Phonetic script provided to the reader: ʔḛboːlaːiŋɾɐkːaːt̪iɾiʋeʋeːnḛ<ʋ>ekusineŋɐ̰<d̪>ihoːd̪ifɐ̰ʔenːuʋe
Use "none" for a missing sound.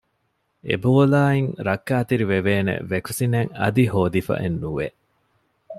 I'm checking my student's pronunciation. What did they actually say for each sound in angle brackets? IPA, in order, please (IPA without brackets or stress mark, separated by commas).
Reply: ʋ, d̪